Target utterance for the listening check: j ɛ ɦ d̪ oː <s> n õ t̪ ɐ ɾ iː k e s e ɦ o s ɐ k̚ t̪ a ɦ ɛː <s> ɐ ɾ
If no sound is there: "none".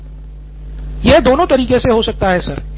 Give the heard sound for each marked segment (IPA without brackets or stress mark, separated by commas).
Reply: none, s